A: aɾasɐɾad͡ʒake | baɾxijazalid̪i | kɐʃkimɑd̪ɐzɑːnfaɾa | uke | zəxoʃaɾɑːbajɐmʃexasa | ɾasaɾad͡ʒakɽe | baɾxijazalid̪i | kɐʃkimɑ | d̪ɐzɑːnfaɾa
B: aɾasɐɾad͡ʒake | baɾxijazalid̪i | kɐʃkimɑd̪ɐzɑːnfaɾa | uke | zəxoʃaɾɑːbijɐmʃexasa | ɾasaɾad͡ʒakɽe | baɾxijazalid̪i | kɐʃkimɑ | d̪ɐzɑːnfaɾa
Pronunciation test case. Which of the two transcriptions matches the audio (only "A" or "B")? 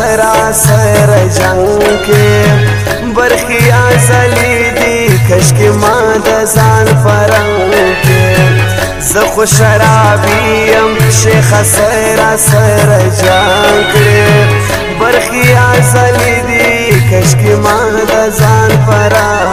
B